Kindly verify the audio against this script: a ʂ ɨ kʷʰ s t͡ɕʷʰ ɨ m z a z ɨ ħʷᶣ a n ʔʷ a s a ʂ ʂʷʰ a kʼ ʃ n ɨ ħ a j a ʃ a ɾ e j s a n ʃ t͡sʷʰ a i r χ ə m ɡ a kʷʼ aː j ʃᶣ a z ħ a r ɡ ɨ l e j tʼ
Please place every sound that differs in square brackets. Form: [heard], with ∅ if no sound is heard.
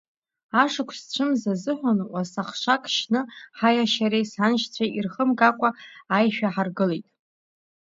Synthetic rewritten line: a ʂ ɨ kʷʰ s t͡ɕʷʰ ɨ m z a z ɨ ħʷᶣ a n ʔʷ a s a [χ] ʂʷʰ a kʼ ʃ n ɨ ħ a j a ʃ a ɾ e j s a n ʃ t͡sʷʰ a i r χ ə m ɡ a kʷʼ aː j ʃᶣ a [∅] ħ a r ɡ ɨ l e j tʼ